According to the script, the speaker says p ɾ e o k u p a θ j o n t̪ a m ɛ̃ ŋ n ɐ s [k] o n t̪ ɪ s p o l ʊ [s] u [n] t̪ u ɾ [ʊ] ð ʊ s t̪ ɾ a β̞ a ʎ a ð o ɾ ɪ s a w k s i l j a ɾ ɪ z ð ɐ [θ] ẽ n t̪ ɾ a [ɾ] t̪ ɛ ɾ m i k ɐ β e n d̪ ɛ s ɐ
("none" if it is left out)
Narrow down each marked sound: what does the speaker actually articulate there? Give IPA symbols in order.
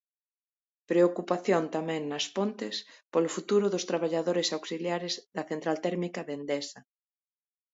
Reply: p, f, none, ʊ, θ, l

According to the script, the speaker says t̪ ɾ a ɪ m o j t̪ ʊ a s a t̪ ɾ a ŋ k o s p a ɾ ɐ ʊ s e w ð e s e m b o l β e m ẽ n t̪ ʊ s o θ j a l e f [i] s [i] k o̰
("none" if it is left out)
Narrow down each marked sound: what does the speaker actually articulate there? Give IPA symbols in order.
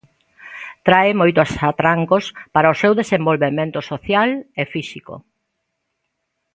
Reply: i, i

